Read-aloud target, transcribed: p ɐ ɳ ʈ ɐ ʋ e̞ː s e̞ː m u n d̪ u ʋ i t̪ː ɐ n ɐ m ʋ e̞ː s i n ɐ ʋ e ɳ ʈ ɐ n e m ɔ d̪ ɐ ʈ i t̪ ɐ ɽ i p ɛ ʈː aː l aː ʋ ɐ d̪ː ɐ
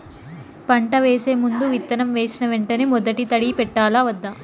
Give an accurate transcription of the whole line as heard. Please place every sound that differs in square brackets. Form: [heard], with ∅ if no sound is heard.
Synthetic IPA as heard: p ɐ ɳ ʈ ɐ ʋ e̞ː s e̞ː m u n d̪ u ʋ i t̪ː ɐ n ɐ m ʋ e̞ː s i n ɐ ʋ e ɳ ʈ ɐ n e m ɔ d̪ ɐ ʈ i t̪ ɐ ɽ i p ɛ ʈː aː l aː ʋ ɐ d̪ː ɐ

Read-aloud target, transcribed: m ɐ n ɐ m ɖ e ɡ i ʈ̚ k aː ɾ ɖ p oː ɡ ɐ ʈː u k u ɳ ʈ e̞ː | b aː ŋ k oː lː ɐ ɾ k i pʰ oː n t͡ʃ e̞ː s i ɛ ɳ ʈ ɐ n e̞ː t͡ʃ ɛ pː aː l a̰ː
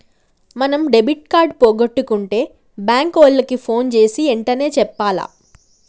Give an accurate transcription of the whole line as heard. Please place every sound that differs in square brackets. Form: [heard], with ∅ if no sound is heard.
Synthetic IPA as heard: m ɐ n ɐ m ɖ e [b] i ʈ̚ k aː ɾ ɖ p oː ɡ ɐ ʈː u k u ɳ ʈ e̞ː | b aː ŋ k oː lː ɐ [∅] k i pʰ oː n t͡ʃ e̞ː s i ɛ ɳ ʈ ɐ n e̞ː t͡ʃ ɛ pː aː l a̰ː

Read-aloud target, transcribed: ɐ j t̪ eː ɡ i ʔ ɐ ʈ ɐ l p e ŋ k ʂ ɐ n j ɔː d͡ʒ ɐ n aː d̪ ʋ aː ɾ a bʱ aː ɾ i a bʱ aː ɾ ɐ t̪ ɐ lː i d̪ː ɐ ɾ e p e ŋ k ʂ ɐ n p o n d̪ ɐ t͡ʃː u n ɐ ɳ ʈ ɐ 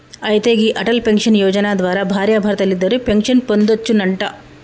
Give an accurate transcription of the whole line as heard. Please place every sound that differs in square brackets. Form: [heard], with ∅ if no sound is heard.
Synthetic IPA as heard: ɐ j t̪ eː ɡ i ʔ ɐ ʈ ɐ l p e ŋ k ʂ ɐ n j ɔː d͡ʒ ɐ n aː d̪ ʋ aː ɾ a bʱ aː ɾ [j] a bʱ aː ɾ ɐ t̪ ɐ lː i d̪ː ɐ ɾ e p e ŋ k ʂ ɐ n p o n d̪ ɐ t͡ʃː u n ɐ ɳ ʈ ɐ

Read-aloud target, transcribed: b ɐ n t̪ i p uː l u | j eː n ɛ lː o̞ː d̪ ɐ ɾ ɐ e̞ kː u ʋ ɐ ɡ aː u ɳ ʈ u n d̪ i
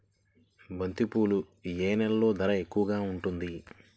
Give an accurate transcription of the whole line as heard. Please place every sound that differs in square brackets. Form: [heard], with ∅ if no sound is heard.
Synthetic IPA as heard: b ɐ n t̪ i p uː l u | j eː n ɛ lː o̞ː d̪ ɐ ɾ ɐ e̞ kː u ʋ ɐ ɡ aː u ɳ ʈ u n d̪ i

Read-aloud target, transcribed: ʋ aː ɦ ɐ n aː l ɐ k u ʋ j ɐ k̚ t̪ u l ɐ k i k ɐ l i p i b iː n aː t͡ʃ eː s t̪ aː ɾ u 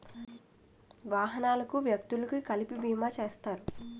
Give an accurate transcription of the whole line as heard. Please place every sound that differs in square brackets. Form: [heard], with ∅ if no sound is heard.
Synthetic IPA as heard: ʋ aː ɦ ɐ n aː l ɐ k u ʋ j ɐ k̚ t̪ u l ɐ k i k ɐ l i p i b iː [m] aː t͡ʃ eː s t̪ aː ɾ u

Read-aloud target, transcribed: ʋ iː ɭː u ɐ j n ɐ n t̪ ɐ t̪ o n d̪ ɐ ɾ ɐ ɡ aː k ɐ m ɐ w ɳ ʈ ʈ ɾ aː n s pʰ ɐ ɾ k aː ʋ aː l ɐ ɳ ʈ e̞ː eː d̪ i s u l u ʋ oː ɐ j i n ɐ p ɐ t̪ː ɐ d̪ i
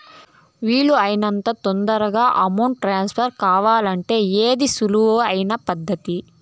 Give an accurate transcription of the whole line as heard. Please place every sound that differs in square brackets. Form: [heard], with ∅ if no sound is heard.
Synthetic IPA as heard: ʋ iː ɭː u ɐ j n ɐ n t̪ ɐ t̪ o n d̪ ɐ ɾ ɐ ɡ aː [ʔ] ɐ m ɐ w ɳ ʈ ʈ ɾ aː n s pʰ ɐ ɾ k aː ʋ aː l ɐ ɳ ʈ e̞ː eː d̪ i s u l u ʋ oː ɐ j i n ɐ p ɐ [d̪ː] ɐ [t̪] i

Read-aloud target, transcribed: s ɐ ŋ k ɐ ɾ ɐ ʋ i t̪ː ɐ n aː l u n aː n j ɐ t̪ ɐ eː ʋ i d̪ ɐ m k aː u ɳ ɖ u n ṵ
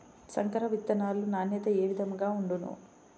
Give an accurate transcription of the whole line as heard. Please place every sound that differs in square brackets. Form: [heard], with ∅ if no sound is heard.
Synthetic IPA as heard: s ɐ ŋ k ɐ ɾ ɐ ʋ i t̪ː ɐ n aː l u n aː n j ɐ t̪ ɐ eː ʋ i d̪ ɐ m [ɡ] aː u ɳ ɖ u n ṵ

